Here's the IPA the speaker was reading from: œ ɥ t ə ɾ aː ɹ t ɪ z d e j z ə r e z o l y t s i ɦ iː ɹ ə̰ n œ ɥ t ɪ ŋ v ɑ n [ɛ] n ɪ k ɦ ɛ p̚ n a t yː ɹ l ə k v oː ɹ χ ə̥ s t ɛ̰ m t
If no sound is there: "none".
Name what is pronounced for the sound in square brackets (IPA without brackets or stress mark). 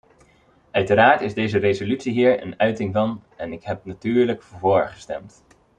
ɛ